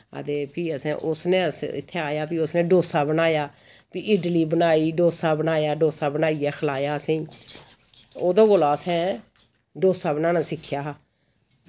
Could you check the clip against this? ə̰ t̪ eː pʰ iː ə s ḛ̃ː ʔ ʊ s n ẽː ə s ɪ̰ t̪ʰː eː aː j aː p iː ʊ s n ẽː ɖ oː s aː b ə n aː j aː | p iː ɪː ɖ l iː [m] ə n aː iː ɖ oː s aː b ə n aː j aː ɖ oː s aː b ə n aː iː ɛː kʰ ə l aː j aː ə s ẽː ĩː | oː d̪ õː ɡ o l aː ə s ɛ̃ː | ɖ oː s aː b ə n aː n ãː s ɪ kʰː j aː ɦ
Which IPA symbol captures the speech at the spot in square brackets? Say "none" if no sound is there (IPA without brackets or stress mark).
b